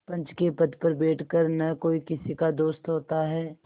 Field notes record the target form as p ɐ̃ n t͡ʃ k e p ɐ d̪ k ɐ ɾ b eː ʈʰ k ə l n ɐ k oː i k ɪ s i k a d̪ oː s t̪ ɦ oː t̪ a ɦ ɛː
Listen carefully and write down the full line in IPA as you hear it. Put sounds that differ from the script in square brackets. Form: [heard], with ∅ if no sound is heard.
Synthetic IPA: p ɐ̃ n t͡ʃ k e p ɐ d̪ [p] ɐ ɾ b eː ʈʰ k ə [ɾ] n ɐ k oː i k ɪ s i k a d̪ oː s t̪ ɦ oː t̪ a ɦ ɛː